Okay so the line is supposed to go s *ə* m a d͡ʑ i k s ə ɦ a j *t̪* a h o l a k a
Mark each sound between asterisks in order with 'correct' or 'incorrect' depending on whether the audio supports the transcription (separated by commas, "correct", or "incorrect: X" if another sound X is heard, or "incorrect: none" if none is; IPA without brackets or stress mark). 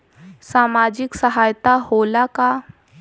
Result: incorrect: a, correct